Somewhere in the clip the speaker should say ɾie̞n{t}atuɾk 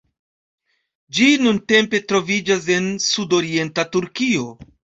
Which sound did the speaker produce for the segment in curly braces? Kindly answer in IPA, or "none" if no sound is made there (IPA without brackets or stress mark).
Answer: t